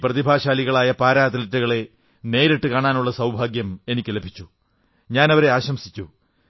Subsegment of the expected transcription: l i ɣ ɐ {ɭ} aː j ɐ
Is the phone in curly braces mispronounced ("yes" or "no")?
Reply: no